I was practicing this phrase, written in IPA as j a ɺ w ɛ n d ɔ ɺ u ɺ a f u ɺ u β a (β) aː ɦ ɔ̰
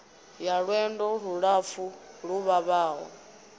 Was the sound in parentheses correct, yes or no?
yes